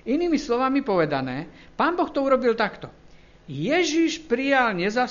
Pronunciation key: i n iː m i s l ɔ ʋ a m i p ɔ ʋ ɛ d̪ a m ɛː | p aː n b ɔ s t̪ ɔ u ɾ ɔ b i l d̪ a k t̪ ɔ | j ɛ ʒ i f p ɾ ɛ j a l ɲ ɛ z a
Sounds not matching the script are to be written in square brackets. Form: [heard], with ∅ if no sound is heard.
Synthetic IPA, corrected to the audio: i n iː m i s l ɔ ʋ a m i p ɔ ʋ ɛ d̪ a [n] ɛː | p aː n b ɔ [x] t̪ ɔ u ɾ ɔ b i l [t̪] a k t̪ ɔ | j ɛ ʒ i [ʃ] p ɾ [i] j a l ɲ ɛ z a